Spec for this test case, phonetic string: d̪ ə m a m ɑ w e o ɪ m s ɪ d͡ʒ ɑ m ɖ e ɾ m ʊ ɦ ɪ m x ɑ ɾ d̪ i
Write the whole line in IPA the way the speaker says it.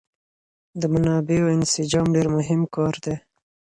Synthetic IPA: d̪ ə m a n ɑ b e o ɪ n s ɪ d͡ʒ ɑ m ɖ e ɾ m ʊ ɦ ɪ m k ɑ ɾ d̪ e